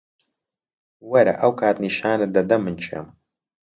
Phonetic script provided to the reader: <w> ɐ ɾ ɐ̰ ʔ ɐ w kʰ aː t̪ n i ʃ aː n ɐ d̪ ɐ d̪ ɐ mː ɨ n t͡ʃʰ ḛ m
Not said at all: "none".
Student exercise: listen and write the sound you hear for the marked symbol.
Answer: w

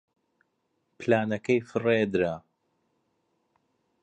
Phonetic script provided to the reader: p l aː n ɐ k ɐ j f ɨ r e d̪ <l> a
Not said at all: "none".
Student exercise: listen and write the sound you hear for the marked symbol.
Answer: ɾ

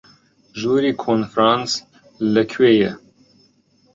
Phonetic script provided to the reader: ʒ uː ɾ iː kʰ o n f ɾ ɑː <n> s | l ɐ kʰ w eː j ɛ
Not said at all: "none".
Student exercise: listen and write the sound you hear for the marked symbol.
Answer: n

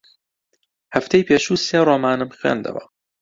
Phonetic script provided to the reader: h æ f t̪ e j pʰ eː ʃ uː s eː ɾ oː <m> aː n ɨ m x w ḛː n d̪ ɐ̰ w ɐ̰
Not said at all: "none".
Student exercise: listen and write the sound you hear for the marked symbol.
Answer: m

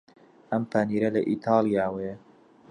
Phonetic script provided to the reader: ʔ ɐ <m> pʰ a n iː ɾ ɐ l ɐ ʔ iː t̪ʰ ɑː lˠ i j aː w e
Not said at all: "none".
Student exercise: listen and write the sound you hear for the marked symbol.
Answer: m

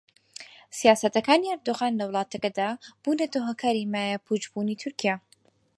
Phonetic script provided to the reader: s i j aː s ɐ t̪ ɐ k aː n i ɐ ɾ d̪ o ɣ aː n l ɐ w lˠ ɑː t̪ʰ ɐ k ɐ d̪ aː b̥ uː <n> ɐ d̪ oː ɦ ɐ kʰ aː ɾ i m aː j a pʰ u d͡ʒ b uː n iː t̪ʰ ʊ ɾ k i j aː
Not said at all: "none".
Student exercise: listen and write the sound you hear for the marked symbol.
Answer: n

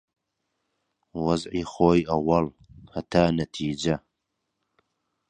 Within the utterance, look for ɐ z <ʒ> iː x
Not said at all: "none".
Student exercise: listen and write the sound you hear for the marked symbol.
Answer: ʕ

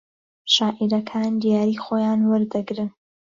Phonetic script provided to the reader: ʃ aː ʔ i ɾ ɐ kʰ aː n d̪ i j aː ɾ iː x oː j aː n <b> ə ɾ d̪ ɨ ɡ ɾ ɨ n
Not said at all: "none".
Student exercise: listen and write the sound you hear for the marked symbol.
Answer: w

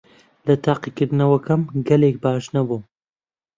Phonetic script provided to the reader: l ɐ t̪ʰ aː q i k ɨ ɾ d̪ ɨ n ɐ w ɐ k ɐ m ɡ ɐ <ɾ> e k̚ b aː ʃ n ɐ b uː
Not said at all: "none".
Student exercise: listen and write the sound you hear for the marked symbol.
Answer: l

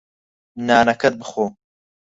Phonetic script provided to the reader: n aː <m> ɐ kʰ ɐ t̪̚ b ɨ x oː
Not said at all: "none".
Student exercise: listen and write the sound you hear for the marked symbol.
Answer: n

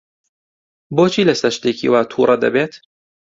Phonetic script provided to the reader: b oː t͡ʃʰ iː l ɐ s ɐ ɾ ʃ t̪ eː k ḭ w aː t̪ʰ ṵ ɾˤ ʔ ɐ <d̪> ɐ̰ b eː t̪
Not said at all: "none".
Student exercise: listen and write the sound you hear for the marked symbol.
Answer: d̪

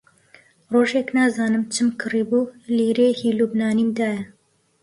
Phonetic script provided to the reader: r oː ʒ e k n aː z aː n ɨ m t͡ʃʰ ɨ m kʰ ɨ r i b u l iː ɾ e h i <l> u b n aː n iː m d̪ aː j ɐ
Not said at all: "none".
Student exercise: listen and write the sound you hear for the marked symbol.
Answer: l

